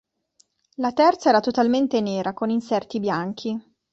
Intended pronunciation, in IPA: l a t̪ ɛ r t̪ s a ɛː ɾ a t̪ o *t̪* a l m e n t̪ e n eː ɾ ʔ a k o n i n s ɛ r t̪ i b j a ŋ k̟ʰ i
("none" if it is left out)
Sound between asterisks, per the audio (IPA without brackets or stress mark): t̪